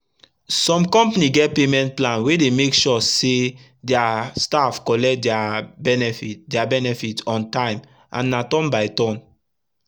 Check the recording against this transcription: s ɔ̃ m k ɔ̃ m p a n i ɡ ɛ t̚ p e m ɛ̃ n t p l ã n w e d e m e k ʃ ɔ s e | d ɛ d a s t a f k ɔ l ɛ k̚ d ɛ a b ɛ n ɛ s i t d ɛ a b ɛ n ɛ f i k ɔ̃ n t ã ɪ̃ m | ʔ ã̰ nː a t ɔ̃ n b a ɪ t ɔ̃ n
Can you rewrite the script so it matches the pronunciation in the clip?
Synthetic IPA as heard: s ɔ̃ m k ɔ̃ m p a n i ɡ ɛ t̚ p e m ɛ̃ n t p l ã n w e d e m e k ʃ ɔ s e | d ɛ a s t a f k ɔ l ɛ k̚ d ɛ a b ɛ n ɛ f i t d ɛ a b ɛ n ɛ f i t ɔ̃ n t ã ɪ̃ m | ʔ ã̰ nː a t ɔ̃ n b a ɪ t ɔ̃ n